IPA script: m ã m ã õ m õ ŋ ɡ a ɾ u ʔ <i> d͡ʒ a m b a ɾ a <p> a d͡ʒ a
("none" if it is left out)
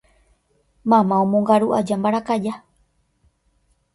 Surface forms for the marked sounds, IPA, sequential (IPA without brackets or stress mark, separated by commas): a, k